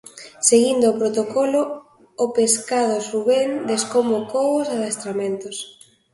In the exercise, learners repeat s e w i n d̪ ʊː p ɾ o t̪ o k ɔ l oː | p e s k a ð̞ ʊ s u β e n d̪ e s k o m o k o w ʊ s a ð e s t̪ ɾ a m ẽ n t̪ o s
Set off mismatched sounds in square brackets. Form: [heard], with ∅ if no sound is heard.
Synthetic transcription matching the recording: s e [ɣ] i n d̪ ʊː p ɾ o t̪ o k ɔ l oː | p e s k a ð̞ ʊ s u β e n d̪ e s k o m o k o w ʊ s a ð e s t̪ ɾ a m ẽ n t̪ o s